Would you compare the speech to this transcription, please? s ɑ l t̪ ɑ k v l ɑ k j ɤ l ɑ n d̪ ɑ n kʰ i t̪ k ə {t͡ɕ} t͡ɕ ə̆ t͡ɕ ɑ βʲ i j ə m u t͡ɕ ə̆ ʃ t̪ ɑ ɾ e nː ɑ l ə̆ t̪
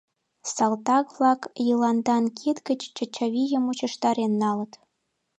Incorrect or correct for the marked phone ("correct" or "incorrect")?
correct